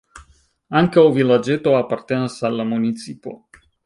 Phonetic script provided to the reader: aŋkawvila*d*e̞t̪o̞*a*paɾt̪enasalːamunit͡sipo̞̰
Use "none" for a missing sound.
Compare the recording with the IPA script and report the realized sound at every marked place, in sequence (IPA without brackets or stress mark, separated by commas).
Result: d͡ʒ, a